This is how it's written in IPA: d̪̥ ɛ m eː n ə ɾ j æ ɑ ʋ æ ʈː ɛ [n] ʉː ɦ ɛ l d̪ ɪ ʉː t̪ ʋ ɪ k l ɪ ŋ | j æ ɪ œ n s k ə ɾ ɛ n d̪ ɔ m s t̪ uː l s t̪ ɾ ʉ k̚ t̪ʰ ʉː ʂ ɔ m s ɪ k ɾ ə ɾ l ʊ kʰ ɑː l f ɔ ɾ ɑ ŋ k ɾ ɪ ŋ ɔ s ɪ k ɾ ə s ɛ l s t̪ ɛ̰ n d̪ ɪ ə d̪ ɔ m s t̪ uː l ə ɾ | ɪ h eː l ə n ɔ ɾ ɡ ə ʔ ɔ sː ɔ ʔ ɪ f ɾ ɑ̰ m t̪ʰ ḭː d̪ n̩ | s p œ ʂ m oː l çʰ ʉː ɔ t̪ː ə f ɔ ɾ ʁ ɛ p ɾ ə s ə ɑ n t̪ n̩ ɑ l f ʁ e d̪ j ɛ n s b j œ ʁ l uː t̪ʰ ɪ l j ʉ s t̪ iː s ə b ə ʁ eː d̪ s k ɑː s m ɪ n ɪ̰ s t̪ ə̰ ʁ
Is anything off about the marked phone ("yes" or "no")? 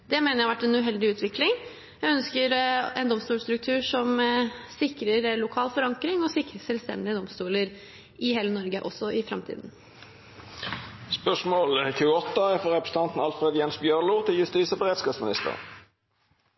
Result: no